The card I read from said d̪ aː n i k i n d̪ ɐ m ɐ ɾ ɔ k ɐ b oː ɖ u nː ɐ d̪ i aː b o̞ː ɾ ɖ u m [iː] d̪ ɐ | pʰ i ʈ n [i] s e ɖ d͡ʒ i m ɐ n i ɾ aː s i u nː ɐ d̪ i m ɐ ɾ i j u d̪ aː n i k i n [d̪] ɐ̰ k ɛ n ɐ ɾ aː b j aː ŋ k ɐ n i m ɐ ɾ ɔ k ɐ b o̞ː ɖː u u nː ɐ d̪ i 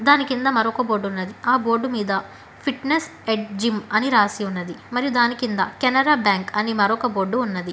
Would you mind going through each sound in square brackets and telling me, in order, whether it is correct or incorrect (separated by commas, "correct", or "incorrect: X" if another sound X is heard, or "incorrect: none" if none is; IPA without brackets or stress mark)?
correct, incorrect: e, correct